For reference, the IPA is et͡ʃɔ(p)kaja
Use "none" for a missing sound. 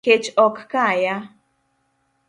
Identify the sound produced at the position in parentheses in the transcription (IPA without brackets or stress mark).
k